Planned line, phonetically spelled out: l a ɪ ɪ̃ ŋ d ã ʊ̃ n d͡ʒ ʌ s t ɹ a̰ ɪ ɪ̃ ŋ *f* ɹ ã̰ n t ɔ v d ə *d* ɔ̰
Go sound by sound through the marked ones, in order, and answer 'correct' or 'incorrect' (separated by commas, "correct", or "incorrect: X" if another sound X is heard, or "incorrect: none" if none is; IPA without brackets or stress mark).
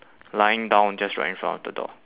correct, correct